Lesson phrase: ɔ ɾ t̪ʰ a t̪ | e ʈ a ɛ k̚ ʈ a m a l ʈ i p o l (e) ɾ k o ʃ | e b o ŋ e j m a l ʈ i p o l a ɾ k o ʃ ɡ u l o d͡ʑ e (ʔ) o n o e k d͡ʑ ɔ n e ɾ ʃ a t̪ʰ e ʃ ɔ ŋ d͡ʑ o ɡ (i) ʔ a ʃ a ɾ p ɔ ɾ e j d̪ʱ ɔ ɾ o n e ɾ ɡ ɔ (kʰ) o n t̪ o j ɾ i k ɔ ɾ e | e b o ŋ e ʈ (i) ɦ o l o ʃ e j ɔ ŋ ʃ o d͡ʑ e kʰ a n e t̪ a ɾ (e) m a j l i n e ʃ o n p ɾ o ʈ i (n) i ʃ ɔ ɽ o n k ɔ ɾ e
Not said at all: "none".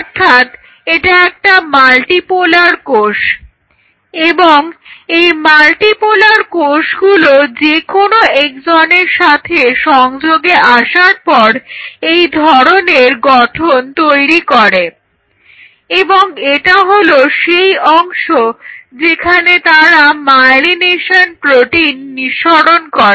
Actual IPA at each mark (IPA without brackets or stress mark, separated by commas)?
a, k, e, ʈʰ, a, a, nː